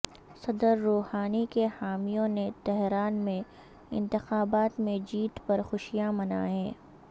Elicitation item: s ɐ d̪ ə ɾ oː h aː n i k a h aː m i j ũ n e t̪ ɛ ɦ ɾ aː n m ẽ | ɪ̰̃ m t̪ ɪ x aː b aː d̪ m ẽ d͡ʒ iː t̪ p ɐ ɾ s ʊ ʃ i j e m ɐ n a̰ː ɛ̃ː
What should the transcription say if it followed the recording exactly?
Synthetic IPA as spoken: s ɐ d̪ ə ɾː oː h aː n i k e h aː m i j õ n e t̪ ɛ ɦ ɾ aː n m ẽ | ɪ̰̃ n t̪ ɪ x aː b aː t̪ m ẽ d͡ʒ iː t̪ p ɐ ɾ x ʊ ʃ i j a m ɐ n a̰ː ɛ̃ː